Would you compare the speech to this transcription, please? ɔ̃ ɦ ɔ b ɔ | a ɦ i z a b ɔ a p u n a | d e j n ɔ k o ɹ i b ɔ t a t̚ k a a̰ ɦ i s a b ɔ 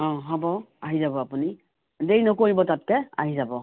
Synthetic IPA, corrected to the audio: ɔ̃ ɦ ɔ b ɔ | a ɦ i z a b ɔ a p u n i | d e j n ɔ k o ɹ i b ɔ t a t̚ k ɛ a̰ ɦ i z a b ɔ

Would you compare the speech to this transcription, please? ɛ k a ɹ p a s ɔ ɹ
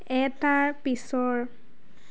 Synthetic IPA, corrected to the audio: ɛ t a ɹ p i s ɔ ɹ

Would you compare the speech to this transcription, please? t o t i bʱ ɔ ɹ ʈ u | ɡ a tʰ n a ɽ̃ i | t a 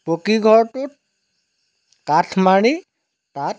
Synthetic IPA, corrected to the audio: p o k i ɡʱ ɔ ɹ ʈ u | k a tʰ m a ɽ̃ i | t a

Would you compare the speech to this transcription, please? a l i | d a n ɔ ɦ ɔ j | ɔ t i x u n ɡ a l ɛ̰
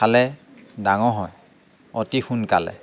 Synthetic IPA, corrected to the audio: a l ɛ | d a ŋ ɔ ɦ ɔ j | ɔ t i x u n k a l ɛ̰

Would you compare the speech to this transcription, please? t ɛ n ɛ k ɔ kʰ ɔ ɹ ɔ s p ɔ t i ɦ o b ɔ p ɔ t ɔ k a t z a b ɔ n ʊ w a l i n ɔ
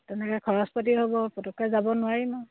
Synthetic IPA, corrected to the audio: t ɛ n ɛ k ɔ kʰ ɔ ɹ ɔ s p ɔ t i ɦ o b ɔ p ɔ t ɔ k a z a b ɔ n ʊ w a ɹ i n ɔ

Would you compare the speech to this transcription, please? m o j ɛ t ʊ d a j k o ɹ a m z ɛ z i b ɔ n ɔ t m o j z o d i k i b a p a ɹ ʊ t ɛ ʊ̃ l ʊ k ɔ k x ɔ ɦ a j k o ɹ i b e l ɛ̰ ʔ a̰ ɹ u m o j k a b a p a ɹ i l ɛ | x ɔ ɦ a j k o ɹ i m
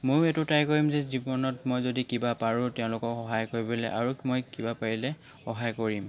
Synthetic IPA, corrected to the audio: m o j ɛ t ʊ t a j k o ɹ i m z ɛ z i b ɔ n ɔ t m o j z o d i k i b a p a ɹ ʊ t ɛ ʊ̃ l ʊ k ɔ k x ɔ ɦ a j k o ɹ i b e l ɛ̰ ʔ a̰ ɹ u m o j k i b a p a ɹ i l ɛ | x ɔ ɦ a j k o ɹ i m

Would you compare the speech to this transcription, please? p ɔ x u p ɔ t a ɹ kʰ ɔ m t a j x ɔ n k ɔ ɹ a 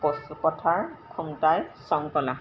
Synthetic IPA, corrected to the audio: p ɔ s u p ɔ tʰ a ɹ kʰ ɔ m t a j s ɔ ŋ k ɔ l a

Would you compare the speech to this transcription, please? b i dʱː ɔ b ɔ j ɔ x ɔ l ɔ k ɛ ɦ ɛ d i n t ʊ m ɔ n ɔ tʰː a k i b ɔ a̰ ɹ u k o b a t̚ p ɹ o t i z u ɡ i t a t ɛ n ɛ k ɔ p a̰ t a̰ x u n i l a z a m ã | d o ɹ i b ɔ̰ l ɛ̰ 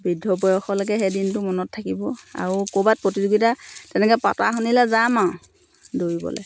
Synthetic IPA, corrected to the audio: b i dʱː ɔ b ɔ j ɔ x ɔ l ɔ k ɛ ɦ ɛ d i n t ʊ m ɔ n ɔ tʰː a k i b ɔ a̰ ɹ u k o b a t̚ p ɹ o t i z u ɡ i t a t ɛ n ɛ k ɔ p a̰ t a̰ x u n i l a z a m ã | d o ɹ i b ɔ̰ l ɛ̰

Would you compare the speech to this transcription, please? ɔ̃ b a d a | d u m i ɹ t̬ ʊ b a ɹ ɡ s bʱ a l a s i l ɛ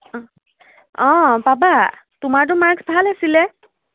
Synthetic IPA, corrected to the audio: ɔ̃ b a b a | t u m a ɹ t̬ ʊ m a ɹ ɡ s bʱ a l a s i l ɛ

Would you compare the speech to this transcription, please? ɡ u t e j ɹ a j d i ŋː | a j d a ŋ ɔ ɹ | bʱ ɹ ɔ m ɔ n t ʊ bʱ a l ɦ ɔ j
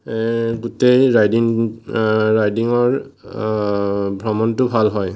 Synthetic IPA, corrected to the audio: ɡ u t e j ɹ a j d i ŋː | a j d i ŋ ɔ ɹ | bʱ ɹ ɔ m ɔ n t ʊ bʱ a l ɦ ɔ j

